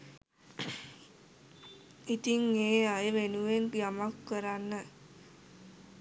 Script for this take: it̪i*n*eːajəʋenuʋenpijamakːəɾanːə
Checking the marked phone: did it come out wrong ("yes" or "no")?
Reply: yes